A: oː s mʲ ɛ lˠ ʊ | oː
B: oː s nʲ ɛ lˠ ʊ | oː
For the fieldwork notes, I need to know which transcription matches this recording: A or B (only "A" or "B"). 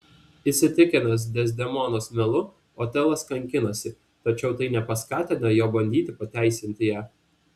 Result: A